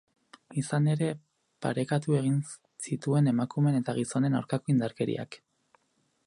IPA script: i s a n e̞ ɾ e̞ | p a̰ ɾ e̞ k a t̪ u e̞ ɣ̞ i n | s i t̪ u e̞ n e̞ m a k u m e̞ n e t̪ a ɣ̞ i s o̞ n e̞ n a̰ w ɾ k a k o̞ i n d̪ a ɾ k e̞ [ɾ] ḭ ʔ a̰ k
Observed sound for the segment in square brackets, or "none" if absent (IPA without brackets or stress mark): ɾ